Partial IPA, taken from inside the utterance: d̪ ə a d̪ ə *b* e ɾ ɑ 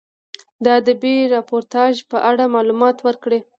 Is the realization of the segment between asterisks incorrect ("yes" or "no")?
no